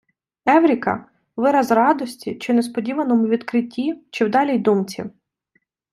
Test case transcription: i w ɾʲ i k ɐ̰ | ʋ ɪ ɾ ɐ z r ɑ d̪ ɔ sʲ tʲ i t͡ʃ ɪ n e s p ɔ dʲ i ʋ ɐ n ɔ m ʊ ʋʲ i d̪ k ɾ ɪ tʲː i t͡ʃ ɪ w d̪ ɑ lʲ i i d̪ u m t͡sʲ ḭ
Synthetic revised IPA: ɛ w ɾʲ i k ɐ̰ | ʋ ɪ ɾ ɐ z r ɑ d̪ ɔ sʲ tʲ i t͡ʃ ɪ n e s p ɔ dʲ i ʋ ɐ n ɔ m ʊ ʋʲ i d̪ k ɾ ɪ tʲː i t͡ʃ ɪ w d̪ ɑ lʲ i j d̪ u m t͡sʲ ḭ